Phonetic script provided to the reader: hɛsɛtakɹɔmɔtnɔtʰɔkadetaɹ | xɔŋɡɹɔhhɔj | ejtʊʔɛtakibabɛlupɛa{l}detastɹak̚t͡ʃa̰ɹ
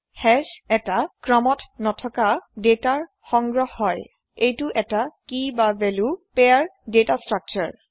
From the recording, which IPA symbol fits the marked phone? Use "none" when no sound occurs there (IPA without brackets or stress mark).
ɹ